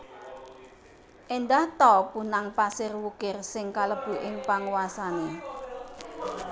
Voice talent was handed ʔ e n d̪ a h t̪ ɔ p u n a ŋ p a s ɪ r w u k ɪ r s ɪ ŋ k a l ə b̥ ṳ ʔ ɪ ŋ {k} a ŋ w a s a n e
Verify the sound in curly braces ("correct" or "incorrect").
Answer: incorrect